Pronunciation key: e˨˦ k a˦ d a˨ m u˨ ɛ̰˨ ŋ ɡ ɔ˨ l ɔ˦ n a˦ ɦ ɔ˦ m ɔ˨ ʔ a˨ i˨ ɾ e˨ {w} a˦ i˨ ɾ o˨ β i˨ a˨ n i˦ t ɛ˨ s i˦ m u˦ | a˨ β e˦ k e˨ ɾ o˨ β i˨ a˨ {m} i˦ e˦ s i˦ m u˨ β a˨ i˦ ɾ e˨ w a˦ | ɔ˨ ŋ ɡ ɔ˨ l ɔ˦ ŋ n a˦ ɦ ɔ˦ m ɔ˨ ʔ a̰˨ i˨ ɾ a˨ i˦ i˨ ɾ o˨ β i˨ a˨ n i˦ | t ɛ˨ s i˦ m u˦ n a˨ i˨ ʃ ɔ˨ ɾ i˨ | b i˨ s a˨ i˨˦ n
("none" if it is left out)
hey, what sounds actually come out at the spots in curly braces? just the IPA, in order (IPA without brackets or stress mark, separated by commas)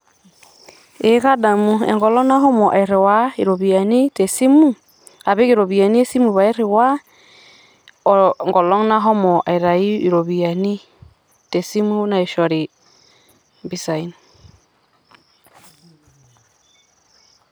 w, n